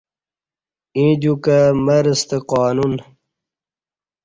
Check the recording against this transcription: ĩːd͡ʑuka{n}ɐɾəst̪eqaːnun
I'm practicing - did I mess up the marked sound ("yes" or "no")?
yes